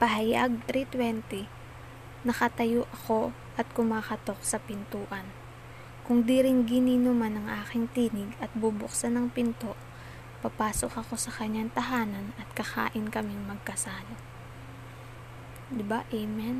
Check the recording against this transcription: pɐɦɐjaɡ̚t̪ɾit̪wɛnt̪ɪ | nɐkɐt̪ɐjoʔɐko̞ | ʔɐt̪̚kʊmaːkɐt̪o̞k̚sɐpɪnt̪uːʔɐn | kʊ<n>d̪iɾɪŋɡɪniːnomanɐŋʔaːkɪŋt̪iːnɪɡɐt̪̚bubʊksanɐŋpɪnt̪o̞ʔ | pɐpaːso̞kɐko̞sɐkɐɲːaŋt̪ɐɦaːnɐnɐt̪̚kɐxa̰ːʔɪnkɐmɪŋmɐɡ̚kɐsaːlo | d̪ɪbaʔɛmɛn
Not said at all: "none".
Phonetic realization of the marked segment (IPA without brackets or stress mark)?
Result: ŋ